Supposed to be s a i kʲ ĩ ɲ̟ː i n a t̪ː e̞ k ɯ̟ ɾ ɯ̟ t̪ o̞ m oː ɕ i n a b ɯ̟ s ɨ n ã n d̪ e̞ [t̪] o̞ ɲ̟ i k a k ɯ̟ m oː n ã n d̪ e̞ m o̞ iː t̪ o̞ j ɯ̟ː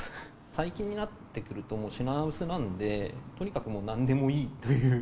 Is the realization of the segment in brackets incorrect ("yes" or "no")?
no